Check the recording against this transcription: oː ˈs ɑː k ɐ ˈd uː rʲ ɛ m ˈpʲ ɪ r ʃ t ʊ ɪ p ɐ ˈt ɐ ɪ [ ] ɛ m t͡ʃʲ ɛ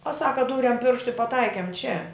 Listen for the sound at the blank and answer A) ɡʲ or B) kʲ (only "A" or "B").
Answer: B